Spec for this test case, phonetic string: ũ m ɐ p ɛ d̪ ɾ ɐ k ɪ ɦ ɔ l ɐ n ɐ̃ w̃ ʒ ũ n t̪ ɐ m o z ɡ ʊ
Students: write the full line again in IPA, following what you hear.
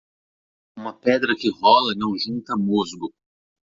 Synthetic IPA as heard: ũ m ɐ p ɛ d̪ ɾ ɐ k ɪ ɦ ɔ l ɐ n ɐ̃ w̃ ʒ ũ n t̪ ɐ m o z ɡ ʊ